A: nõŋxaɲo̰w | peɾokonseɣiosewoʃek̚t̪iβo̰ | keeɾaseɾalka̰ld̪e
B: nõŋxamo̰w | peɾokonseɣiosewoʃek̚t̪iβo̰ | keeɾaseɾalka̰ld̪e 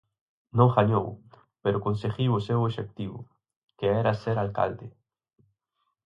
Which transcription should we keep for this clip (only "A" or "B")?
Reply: A